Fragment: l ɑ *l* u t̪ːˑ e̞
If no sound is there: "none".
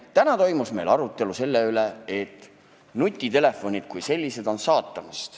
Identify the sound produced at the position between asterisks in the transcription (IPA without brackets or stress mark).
ɾ